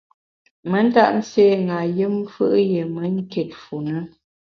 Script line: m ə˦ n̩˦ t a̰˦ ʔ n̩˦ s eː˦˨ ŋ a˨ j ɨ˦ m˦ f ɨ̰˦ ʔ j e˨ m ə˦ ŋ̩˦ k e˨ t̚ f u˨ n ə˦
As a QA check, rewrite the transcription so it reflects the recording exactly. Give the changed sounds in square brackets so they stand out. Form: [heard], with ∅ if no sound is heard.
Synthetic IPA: m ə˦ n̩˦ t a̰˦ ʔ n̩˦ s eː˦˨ ŋ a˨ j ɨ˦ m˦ f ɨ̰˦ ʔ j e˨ m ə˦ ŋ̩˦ k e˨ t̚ f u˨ n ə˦